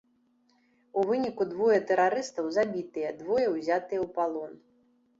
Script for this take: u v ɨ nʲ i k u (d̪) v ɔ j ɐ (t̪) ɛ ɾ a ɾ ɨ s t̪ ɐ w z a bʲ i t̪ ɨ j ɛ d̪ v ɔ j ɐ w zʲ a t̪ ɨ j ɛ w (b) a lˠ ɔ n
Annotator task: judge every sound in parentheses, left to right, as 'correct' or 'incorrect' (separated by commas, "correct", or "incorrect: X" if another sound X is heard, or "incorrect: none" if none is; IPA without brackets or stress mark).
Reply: correct, correct, incorrect: p